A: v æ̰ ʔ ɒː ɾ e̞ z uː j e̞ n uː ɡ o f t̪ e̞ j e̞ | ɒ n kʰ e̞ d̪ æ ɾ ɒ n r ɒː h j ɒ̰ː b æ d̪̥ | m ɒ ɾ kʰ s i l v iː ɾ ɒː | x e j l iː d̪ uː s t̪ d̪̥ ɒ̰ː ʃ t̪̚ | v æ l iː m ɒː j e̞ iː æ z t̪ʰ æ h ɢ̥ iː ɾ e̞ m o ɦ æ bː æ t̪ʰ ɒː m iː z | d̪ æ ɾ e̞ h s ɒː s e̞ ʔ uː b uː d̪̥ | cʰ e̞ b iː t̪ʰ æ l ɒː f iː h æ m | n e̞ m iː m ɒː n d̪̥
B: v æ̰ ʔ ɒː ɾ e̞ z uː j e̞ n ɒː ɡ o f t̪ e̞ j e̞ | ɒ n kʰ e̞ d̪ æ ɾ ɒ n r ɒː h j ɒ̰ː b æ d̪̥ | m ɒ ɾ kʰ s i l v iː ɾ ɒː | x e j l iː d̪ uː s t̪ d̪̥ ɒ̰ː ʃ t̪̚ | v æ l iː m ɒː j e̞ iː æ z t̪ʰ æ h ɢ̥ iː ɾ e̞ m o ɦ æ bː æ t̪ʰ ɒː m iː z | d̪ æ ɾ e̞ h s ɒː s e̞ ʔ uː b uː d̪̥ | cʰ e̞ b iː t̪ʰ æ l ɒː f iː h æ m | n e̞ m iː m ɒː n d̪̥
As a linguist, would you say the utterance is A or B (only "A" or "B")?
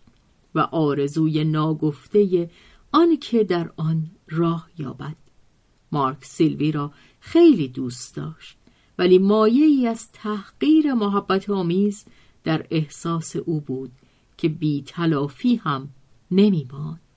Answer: B